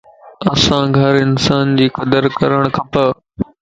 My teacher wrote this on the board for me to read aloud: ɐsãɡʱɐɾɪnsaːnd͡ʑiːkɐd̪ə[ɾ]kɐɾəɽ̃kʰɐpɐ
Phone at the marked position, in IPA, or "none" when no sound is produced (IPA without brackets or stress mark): ɾ